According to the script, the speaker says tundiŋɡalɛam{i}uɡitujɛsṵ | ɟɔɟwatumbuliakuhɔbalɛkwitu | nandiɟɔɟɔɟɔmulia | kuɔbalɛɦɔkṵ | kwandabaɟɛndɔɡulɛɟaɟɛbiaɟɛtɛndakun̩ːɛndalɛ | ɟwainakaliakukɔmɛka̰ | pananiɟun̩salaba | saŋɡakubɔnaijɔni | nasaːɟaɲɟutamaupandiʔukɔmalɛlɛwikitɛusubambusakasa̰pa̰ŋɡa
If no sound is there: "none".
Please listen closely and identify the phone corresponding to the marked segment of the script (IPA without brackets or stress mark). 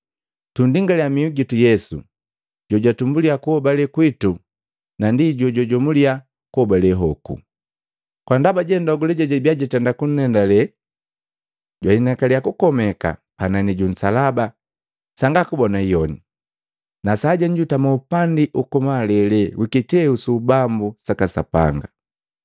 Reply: i